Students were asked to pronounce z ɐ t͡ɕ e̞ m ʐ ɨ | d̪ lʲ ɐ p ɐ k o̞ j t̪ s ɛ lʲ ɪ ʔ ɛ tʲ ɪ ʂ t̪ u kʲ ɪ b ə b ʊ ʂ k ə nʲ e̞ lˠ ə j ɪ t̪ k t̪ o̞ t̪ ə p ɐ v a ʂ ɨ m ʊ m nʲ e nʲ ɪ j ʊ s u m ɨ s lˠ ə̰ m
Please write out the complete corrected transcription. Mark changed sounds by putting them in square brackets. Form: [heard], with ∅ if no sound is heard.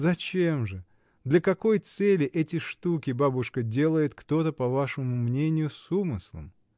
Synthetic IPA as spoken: z ɐ t͡ɕ e̞ m ʐ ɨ | d̪ lʲ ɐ [k] ɐ k o̞ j t̪ s ɛ lʲ ɪ ʔ ɛ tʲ ɪ ʂ t̪ u kʲ ɪ b [a] b ʊ ʂ k ə [dʲ] e̞ lˠ ə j ɪ t̪ k t̪ o̞ t̪ ə p ɐ v a ʂ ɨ m ʊ m nʲ e nʲ ɪ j ʊ s u m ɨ s lˠ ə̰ m